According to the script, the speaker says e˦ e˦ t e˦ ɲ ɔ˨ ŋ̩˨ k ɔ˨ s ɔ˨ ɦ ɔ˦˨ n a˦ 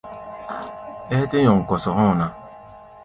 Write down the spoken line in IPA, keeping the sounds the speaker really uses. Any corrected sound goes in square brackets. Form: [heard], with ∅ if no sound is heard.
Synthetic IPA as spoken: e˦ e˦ t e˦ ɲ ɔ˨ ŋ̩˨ k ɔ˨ s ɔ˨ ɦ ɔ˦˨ n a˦